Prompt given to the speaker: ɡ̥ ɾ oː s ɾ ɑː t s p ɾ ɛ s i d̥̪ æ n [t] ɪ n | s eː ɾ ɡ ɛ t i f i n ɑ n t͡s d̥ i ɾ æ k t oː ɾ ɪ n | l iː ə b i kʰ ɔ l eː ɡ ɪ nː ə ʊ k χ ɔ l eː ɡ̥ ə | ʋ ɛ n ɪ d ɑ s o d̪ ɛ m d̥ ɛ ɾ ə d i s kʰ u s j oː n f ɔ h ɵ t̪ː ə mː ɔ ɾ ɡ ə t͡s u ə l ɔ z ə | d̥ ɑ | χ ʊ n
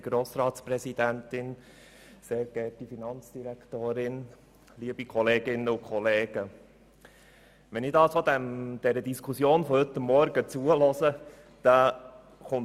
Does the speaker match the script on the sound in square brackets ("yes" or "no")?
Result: yes